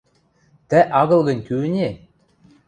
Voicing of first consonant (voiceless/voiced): voiceless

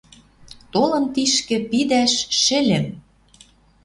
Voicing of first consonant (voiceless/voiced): voiceless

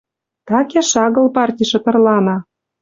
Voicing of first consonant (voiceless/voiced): voiceless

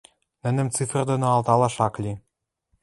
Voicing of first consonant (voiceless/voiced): voiced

